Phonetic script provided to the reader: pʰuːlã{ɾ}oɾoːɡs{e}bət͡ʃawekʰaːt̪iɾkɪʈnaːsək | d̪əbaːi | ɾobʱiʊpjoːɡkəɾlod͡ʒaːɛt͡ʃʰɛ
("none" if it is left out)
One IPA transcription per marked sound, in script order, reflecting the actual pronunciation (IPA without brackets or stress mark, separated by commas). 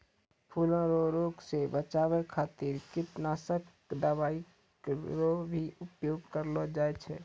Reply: ɾ, e